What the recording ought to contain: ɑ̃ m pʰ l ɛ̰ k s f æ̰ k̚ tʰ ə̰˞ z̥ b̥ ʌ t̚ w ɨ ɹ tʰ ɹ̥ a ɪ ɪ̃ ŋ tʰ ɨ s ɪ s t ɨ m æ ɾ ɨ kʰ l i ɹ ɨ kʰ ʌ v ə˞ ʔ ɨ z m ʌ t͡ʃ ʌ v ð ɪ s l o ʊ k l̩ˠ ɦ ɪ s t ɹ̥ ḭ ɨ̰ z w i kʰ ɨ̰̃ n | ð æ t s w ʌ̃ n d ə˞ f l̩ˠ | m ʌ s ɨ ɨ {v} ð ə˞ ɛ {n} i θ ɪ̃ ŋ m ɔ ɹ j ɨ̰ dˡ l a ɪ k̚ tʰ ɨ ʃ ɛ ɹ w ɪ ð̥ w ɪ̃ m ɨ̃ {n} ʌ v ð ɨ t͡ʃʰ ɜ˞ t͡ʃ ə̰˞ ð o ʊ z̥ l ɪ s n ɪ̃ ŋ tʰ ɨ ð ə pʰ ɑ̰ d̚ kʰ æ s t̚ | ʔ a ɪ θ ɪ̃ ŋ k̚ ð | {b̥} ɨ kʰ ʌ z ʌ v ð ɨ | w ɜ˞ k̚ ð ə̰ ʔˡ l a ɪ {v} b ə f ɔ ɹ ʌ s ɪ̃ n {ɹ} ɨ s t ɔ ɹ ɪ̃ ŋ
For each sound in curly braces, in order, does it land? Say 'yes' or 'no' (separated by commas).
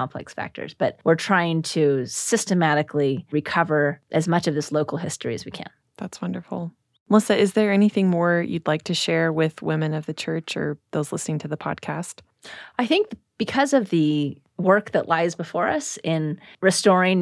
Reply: no, yes, yes, yes, no, yes